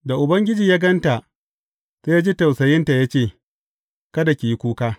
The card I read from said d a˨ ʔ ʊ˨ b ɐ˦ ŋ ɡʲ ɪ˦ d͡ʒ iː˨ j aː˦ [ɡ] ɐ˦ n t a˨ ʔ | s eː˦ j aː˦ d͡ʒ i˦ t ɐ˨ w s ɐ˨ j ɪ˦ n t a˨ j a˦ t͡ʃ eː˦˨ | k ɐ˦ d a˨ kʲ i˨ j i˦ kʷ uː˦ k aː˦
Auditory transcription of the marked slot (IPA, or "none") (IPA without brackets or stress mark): ɡ